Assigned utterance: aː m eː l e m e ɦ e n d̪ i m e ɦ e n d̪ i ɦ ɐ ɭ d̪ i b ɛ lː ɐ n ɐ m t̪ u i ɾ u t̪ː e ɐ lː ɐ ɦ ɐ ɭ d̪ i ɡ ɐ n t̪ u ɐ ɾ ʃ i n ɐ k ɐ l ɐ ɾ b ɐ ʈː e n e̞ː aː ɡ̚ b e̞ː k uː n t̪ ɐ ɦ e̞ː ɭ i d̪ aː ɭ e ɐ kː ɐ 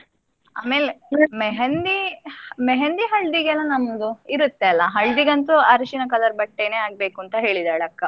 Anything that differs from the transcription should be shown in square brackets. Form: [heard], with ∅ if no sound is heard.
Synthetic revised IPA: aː m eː l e m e ɦ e n d̪ i m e ɦ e n d̪ i ɦ ɐ ɭ d̪ i [ɡ] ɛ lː ɐ n ɐ m [d̪] u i ɾ u t̪ː e ɐ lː ɐ ɦ ɐ ɭ d̪ i ɡ ɐ n t̪ u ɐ ɾ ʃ i n ɐ k ɐ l ɐ ɾ b ɐ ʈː e n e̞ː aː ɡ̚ b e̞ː k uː n t̪ ɐ ɦ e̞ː ɭ i d̪ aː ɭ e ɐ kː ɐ